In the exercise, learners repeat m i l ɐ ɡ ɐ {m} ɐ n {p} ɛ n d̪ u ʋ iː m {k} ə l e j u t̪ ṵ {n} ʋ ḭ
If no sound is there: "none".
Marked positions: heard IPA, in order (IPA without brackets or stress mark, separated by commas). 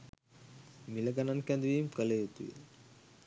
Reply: n, k, k, none